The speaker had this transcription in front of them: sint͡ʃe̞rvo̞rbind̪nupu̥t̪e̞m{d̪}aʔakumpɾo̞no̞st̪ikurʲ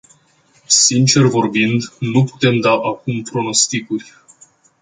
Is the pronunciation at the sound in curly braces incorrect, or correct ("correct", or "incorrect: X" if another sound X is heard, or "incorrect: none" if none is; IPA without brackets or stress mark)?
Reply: correct